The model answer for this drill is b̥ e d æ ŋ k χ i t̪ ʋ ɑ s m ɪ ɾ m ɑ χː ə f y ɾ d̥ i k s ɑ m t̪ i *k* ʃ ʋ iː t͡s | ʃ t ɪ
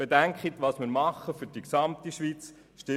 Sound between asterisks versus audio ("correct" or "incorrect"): incorrect